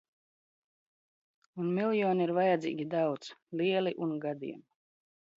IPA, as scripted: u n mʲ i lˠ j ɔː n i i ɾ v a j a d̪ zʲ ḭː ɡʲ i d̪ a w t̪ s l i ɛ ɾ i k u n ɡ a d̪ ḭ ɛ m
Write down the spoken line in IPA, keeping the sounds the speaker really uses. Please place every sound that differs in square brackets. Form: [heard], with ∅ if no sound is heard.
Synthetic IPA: u n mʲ i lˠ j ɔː n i i ɾ v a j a d̪ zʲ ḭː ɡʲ i d̪ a w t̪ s l i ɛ [l] i [ʔ] u n ɡ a d̪ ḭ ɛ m